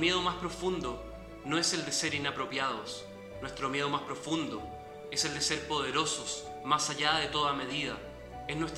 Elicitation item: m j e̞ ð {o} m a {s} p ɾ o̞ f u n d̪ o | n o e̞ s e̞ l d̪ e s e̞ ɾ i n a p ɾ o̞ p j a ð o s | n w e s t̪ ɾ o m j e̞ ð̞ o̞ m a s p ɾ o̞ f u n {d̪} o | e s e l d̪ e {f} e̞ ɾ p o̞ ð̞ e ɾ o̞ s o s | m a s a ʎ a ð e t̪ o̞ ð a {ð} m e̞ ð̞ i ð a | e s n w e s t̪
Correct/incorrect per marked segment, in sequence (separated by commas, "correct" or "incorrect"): correct, correct, correct, incorrect, incorrect